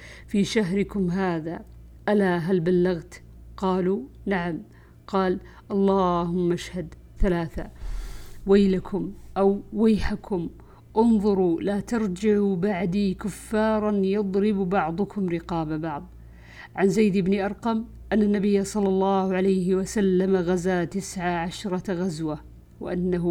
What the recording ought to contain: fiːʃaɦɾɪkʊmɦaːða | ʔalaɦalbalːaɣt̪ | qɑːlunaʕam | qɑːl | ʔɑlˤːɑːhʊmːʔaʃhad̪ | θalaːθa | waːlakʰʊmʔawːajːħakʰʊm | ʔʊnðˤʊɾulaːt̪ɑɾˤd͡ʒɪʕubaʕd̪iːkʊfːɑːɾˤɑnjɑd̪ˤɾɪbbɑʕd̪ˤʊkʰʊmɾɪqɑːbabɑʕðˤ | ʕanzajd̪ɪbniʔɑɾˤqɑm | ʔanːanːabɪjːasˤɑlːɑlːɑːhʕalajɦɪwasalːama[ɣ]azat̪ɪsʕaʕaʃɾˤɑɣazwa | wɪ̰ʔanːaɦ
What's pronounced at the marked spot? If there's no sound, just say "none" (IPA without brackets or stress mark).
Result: ɣ